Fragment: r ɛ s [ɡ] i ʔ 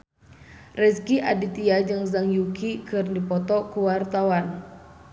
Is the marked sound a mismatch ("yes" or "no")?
yes